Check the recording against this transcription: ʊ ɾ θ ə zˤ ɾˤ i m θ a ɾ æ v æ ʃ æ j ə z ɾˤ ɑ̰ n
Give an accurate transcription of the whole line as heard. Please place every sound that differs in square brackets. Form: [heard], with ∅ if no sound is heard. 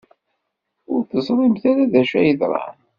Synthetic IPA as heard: ʊ ɾ θ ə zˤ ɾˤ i m θ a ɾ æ [ð] æ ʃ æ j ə [ð] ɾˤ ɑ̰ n

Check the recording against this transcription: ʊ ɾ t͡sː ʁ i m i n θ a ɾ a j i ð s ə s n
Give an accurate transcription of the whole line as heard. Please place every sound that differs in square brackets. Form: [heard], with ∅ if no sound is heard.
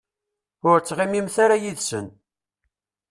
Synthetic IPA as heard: ʊ ɾ t͡sː ʁ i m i [m] θ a ɾ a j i ð s ə [∅] n

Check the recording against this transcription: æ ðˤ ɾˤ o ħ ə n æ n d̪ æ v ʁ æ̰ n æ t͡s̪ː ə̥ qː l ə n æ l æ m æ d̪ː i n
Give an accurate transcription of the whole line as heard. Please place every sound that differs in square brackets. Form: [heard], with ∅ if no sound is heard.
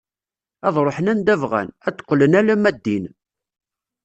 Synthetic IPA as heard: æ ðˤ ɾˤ o ħ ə n æ n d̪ æ v ʁ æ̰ n æ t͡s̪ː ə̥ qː l ə n æ l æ m æ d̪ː i n

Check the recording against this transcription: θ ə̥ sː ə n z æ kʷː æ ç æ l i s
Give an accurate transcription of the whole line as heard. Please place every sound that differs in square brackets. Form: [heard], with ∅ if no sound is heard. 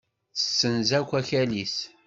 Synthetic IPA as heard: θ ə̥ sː ə n z æ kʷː æ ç æ l i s

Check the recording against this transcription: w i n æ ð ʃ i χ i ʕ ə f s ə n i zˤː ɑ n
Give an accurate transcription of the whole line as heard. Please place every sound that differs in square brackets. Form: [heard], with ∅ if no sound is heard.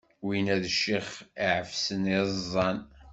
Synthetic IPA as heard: w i n æ ð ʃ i χ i ʕ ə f s ə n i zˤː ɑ n

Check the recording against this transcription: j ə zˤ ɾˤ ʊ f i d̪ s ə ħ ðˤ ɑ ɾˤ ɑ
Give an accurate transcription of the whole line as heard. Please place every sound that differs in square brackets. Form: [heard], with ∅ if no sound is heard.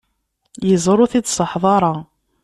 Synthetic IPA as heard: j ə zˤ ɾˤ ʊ [θ] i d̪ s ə ħ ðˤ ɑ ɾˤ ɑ

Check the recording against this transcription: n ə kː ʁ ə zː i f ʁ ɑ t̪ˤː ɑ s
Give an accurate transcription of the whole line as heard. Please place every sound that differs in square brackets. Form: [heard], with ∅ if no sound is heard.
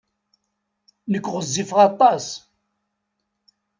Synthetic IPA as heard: n ə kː ʁ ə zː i f ʁ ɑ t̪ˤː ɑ s

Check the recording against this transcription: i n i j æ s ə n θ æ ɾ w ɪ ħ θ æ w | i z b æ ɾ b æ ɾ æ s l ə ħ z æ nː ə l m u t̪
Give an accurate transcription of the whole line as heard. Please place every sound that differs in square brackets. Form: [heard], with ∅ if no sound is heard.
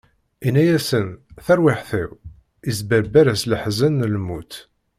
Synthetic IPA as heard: i n [æ] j æ s ə n θ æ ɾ w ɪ ħ θ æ w | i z b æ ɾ b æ ɾ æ s l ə ħ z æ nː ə l m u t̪

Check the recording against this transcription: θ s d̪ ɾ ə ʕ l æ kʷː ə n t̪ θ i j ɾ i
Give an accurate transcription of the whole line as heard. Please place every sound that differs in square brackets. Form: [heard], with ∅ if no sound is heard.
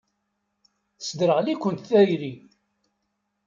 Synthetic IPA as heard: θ s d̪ ɾ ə [ʁ] l [i] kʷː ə n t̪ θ [æ] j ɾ i

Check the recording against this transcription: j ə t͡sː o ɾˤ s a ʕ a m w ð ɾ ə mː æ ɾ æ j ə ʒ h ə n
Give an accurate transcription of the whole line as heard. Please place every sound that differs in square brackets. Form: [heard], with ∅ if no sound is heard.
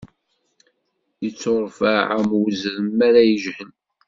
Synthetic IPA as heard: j ə t͡sː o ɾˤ [f] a ʕ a m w [z] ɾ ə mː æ ɾ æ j ə ʒ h ə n

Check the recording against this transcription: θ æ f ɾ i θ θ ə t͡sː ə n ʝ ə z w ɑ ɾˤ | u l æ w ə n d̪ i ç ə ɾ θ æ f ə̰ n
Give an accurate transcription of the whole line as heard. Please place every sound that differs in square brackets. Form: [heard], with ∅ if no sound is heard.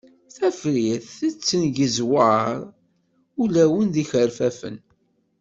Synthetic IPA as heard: θ æ f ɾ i θ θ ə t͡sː ə n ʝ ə z w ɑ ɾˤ | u l æ w ə n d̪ i ç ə ɾ [f] æ f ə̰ n

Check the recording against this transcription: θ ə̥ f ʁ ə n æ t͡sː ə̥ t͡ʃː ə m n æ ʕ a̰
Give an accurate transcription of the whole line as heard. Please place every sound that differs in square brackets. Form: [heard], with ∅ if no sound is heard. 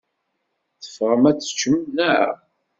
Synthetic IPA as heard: θ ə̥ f ʁ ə [m] æ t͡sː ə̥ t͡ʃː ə m n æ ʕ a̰

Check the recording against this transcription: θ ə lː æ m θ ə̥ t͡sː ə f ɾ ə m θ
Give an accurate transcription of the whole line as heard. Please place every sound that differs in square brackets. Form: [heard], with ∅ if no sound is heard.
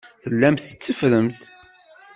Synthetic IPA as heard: θ ə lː æ m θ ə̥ t͡sː ə f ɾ ə m θ

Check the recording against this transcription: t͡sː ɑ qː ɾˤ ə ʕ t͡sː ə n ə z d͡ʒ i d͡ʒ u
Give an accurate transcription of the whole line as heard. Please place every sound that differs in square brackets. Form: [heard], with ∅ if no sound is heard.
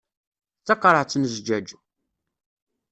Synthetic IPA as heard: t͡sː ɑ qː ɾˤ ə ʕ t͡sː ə n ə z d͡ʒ [æ] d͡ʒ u

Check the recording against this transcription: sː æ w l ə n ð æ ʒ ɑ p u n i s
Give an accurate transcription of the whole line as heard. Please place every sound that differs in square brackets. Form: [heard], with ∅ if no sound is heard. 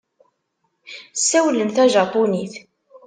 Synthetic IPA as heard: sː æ w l ə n [θ] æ ʒ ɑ p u n i [θ]

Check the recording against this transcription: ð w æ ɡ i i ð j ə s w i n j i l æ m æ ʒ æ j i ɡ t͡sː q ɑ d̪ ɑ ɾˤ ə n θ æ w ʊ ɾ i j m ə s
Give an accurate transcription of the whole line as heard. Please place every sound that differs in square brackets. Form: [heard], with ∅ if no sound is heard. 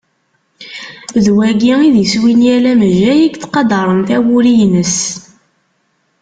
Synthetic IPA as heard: ð w æ ɡ i i ð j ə s w i n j [æ] l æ m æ ʒ æ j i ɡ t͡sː q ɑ d̪ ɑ ɾˤ ə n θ æ w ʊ ɾ i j [n] ə s

